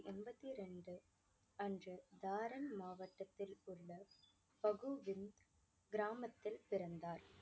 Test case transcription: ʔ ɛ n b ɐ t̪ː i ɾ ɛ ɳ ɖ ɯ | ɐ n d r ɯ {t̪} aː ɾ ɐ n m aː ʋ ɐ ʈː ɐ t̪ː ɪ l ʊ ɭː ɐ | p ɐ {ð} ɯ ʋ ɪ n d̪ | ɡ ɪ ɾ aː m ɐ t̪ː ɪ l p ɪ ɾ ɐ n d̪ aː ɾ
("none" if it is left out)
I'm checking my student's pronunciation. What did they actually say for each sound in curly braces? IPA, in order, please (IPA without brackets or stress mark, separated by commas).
d̪, ɣ